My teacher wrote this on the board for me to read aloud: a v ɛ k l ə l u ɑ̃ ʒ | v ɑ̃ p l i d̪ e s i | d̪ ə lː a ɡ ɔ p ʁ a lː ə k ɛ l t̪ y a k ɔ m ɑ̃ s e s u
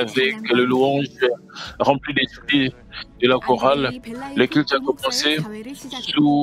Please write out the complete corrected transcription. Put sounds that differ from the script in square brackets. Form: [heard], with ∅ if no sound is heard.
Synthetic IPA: a v ɛ k l ə l u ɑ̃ ʒ | [ʁ] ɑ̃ p l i d̪ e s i | d̪ ə [l] a [k] ɔ [∅] ʁ a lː ə k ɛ l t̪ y a k ɔ m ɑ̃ s e s u